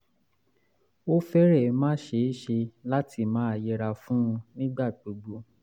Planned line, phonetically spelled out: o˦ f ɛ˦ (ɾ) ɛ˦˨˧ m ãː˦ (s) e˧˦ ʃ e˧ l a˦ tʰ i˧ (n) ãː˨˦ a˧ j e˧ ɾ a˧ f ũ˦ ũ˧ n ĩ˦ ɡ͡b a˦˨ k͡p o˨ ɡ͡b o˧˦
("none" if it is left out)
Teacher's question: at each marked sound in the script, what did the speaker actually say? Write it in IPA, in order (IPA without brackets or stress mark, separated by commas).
ɾ, ʃ, m